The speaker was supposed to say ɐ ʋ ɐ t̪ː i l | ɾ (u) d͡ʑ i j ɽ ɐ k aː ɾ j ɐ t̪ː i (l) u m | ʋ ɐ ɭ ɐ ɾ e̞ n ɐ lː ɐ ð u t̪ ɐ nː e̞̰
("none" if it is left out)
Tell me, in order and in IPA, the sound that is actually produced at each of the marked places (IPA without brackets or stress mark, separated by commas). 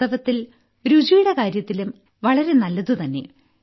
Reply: u, l